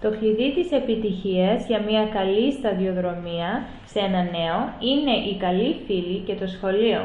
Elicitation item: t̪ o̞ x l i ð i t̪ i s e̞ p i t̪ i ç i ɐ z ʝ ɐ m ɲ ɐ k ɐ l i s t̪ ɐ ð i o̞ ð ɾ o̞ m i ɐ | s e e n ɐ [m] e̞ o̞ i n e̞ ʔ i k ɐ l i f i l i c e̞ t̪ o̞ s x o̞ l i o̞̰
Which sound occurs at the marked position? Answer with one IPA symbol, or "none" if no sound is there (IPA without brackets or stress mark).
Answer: n